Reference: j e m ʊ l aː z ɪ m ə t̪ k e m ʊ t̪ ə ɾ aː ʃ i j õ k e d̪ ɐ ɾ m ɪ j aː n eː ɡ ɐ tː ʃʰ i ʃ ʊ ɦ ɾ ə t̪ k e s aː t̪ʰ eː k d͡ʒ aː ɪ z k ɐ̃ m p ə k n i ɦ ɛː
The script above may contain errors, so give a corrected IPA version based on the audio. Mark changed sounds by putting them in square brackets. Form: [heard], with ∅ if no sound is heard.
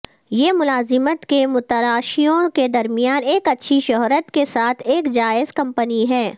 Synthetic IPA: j e m ʊ l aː z ɪ m ə t̪ k e m ʊ t̪ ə ɾ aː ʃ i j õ k e d̪ ɐ ɾ m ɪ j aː n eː [k] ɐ tː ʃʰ i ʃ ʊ ɦ ɾ ə t̪ k e s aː t̪ʰ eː k d͡ʒ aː ɪ z k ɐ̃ m p ə [∅] n i ɦ ɛː